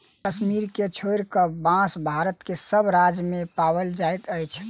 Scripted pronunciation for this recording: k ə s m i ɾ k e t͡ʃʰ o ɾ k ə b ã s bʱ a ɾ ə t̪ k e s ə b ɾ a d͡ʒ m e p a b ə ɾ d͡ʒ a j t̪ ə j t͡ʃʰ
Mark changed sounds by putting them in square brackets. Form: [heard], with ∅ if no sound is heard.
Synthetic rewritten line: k ə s m i ɾ k e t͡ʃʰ o ɾ k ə b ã s bʱ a ɾ ə t̪ k e s ə b ɾ a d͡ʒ m e p a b ə [l] d͡ʒ a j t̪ ə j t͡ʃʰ